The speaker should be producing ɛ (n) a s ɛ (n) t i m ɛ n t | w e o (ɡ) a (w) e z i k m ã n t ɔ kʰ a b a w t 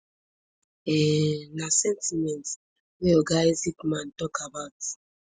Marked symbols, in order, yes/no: yes, yes, yes, no

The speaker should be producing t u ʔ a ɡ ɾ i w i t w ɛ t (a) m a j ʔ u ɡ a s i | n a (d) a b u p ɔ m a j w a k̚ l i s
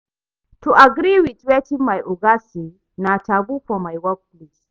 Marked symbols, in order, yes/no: no, no

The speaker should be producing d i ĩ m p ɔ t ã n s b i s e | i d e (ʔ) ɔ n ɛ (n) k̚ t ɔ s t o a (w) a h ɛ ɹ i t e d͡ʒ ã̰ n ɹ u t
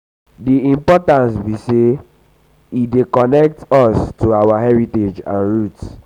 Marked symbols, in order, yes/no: no, no, yes

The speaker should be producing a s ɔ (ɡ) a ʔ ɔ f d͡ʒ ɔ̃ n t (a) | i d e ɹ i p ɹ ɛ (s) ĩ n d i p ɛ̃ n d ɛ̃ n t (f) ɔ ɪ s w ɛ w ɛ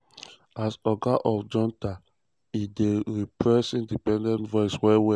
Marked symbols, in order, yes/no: yes, yes, yes, no

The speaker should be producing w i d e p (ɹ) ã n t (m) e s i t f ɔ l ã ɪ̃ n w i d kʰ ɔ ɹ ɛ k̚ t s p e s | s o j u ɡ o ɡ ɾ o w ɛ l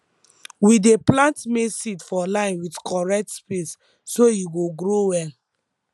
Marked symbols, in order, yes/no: no, yes

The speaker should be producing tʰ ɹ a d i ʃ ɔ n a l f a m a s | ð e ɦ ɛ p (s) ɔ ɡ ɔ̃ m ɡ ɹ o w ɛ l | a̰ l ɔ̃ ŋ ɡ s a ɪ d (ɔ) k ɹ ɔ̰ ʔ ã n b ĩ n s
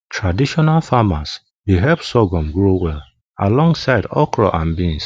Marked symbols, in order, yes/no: yes, yes

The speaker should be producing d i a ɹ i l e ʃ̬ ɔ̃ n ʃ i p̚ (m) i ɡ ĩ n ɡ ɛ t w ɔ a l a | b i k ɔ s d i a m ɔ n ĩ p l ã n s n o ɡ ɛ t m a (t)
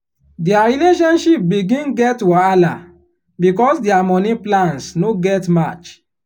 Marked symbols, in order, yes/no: no, no

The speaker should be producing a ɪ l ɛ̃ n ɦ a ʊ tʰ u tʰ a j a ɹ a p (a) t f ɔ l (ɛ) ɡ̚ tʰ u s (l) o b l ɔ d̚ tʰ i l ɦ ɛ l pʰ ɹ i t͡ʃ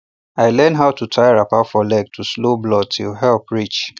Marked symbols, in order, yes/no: yes, yes, yes

